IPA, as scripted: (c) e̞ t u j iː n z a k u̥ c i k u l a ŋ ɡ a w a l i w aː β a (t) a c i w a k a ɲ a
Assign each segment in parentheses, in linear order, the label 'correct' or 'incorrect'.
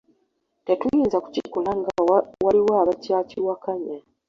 incorrect: t, incorrect: c

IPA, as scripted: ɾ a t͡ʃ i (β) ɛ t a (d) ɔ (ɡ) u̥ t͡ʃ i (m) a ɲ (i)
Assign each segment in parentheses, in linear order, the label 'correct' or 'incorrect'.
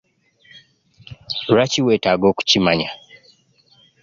incorrect: w, incorrect: ɡ, incorrect: k, correct, incorrect: a

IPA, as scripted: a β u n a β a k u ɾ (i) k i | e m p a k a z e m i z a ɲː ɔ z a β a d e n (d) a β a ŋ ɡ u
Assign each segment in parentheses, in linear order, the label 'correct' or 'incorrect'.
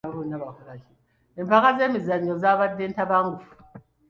incorrect: a, incorrect: t

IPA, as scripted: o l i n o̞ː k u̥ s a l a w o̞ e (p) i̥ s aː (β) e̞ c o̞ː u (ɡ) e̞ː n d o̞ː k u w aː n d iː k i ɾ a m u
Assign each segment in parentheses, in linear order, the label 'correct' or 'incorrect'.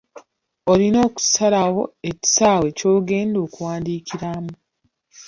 incorrect: c, incorrect: w, correct

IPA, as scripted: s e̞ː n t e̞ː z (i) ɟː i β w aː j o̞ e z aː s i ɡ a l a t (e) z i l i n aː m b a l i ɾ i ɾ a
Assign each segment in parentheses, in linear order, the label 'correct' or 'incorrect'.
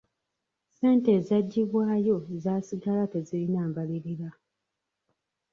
incorrect: a, correct

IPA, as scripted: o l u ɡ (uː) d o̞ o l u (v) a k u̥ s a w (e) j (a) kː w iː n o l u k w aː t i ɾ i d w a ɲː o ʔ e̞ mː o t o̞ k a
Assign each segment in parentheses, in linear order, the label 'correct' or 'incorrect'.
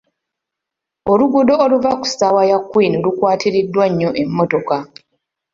incorrect: u, correct, incorrect: a, correct

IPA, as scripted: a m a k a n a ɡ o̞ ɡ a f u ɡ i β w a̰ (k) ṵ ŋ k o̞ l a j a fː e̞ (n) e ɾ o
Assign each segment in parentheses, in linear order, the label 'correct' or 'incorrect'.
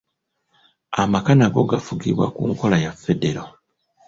correct, incorrect: d

